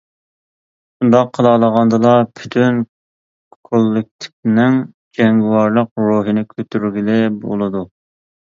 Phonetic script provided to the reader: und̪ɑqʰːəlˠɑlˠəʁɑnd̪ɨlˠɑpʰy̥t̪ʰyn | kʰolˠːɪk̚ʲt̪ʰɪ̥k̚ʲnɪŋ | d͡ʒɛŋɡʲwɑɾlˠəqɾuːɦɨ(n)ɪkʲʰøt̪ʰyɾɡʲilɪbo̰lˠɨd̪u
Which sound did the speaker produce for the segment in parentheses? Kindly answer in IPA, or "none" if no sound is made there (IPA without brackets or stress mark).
n